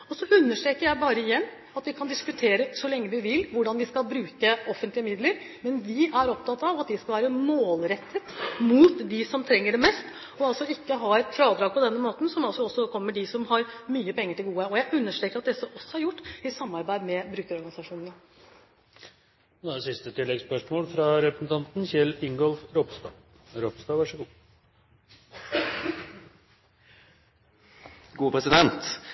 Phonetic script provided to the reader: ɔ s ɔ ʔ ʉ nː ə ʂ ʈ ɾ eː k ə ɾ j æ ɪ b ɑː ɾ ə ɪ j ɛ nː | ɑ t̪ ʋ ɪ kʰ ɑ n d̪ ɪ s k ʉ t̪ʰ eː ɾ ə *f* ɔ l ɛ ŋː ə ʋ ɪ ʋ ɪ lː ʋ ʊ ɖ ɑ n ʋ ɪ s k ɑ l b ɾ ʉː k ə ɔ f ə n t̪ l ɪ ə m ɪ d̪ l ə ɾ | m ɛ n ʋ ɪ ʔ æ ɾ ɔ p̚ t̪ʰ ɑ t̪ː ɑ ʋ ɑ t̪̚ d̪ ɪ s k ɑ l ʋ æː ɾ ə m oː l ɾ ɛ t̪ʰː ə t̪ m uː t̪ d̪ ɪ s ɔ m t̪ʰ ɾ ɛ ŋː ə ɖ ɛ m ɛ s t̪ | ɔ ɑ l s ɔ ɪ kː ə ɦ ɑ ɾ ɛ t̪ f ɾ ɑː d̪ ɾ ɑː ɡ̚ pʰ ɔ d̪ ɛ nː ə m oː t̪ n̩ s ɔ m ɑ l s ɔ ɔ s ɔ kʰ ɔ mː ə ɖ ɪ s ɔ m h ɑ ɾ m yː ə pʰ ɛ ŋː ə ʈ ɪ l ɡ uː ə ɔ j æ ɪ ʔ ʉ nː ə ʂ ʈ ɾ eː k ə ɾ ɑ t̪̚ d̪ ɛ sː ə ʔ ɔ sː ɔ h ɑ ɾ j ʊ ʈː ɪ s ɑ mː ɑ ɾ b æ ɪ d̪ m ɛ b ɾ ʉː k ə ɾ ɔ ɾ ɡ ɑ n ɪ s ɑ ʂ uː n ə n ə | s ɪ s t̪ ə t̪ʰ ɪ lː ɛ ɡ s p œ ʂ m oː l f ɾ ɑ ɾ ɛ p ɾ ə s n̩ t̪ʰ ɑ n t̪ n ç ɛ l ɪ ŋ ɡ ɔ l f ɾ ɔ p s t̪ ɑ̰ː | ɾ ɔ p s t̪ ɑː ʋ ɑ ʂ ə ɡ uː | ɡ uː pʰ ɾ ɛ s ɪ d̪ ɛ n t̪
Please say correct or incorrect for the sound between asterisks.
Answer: incorrect: s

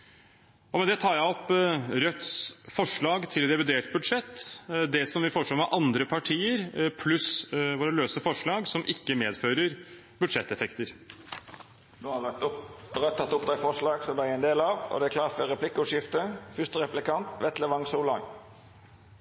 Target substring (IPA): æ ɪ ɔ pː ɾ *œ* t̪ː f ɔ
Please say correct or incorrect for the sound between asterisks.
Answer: correct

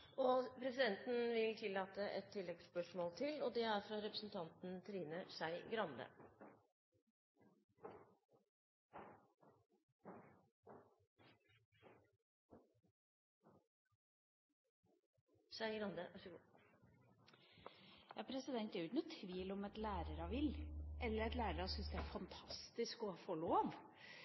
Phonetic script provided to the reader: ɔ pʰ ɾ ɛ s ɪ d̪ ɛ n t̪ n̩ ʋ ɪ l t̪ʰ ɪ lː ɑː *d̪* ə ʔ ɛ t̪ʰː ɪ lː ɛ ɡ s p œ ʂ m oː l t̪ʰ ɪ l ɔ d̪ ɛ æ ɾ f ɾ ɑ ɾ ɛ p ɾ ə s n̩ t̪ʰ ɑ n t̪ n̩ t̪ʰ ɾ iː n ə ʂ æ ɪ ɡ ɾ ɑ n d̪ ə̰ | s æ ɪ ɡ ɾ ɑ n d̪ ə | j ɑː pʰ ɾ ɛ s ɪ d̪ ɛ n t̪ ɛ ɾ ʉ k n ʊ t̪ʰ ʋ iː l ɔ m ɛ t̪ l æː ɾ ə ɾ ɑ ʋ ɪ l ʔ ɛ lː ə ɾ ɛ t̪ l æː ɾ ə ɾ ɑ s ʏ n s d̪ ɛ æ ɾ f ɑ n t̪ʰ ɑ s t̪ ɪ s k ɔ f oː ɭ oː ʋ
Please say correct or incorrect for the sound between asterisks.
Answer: incorrect: t̪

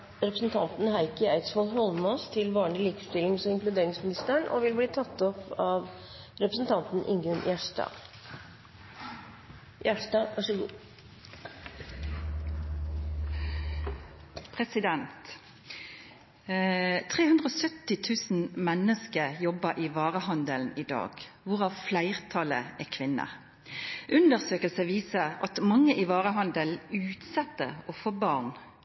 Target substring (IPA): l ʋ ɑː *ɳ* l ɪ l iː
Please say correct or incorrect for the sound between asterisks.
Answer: correct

